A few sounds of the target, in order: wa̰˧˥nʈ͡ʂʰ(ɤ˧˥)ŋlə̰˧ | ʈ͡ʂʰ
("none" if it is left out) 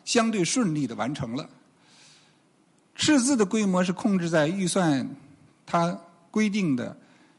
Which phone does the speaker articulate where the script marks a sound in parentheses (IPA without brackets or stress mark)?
ɤ˧˥